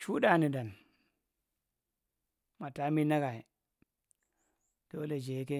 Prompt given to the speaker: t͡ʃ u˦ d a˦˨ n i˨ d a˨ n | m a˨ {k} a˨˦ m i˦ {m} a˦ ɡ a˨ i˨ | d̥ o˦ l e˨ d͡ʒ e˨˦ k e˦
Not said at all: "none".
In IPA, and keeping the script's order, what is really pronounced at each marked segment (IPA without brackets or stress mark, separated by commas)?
t, n